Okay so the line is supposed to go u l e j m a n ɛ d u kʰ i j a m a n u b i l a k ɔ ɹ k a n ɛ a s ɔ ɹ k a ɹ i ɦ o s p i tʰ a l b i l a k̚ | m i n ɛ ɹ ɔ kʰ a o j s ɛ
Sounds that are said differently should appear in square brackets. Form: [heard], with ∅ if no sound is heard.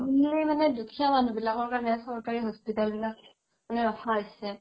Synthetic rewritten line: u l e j m a n ɛ d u kʰ i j a m a n u b i l a k ɔ ɹ k a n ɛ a s ɔ ɹ k a ɹ i ɦ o s p i [t] a l b i l a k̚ | m [a] n ɛ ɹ ɔ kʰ a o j s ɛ